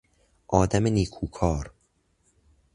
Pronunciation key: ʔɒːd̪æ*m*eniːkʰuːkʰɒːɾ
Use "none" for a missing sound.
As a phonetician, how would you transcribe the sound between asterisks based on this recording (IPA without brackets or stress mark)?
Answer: m